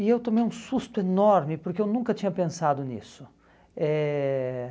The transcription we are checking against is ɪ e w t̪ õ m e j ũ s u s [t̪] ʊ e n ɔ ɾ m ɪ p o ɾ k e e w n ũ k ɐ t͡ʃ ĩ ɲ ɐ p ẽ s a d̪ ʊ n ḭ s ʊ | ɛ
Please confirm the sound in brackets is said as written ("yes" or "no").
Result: yes